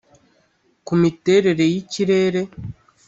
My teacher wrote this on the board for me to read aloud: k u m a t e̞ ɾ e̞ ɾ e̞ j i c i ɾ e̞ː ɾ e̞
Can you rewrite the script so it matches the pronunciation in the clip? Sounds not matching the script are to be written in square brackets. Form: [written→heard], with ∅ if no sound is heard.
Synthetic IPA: k u m [a→i] t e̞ ɾ e̞ ɾ e̞ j i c i ɾ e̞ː ɾ e̞

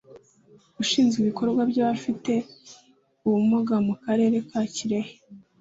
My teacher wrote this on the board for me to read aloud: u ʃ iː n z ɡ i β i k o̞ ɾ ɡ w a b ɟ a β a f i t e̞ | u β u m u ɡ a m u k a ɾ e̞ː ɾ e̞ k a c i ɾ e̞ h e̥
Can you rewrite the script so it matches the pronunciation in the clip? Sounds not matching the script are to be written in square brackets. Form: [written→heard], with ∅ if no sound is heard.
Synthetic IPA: u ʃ iː n z ɡ i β i k o̞ ɾ ɡ w a b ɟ a β a f i t e̞ | u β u m u ɡ a m u k a ɾ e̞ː ɾ e̞ k a c i ɾ e̞ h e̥

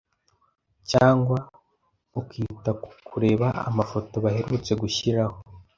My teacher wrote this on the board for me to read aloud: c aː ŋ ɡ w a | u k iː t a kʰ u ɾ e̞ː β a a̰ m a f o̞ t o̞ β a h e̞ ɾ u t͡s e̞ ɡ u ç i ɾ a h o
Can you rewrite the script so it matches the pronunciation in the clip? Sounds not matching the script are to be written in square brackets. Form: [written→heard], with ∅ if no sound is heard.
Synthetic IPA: c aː ŋ ɡ w a | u k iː t a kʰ u ɾ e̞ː β a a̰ m a f o̞ t o̞ β a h e̞ ɾ u t͡s e̞ ɡ u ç i ɾ a h o

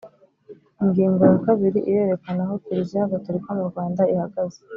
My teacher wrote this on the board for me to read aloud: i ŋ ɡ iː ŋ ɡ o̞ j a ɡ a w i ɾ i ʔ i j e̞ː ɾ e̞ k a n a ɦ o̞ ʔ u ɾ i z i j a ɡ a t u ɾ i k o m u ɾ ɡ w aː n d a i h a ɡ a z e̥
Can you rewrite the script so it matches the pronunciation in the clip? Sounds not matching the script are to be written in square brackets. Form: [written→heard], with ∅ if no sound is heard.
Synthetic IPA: i ŋ ɡ iː ŋ ɡ o̞ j a [ɡ→k] a [w→β] i ɾ i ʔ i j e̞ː ɾ e̞ k a n a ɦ o̞ [ʔ→k] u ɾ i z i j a ɡ a t u ɾ i k o m u ɾ ɡ w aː n d a i h a ɡ a z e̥

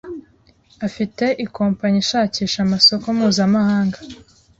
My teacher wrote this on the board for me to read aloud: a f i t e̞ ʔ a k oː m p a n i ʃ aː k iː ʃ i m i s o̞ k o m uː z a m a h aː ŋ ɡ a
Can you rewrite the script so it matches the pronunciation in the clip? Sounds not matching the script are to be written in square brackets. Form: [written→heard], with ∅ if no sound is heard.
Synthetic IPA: a f i t e̞ ʔ [a→i] k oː m p a [n→ɲ] i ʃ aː [k→c] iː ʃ [i→a] m [i→a] s o̞ k o m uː z a m a h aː ŋ ɡ a

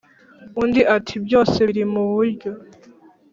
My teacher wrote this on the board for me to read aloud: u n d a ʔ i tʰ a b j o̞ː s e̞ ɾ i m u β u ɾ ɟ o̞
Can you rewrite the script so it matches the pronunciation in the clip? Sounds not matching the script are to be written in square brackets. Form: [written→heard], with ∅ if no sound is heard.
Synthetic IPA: u n d [a→i] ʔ [i→a] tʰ [a→i] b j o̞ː s e̞ ɾ i m u β u ɾ ɟ o̞

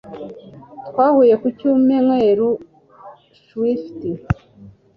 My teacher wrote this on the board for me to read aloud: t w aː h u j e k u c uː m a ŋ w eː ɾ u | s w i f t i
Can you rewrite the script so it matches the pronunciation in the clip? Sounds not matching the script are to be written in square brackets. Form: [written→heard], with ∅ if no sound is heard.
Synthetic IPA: t w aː h u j e k u c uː m [a→e] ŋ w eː ɾ u | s w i f t i

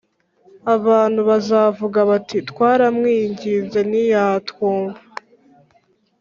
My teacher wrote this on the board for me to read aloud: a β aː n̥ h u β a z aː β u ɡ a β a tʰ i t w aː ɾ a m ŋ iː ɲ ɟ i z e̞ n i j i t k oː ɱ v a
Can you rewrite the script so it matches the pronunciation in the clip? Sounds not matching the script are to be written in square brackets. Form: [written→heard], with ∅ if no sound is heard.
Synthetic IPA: a β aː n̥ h u β a z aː [β→v] u ɡ a β a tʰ i t w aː ɾ a m ŋ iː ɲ ɟ i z e̞ n i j [i→a] t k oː ɱ v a

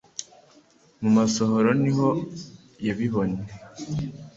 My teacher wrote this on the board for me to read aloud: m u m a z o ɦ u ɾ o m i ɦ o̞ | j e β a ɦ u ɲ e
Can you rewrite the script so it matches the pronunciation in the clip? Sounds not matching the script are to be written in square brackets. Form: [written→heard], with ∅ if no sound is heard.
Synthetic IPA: m u m a [z→s] o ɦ [u→o] ɾ o [m→n] i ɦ o̞ | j [e→a] β [a→i] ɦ [u→o] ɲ e

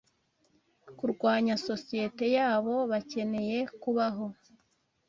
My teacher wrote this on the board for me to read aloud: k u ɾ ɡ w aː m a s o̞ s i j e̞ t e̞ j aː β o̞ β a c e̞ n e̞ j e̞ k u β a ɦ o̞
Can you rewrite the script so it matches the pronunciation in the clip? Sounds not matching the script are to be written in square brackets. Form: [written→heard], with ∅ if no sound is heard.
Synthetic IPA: k u ɾ ɡ w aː [m→ɲ] a s o̞ s i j e̞ t e̞ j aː β o̞ β a c e̞ n e̞ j e̞ k u β a ɦ o̞

